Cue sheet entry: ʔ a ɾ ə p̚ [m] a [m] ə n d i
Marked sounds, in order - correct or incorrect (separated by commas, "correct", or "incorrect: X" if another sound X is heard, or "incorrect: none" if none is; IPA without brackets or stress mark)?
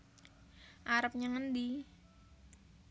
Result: incorrect: ɲ, incorrect: ŋ